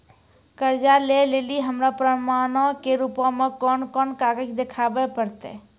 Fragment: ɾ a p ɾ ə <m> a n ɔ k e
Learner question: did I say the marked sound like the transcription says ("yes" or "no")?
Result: yes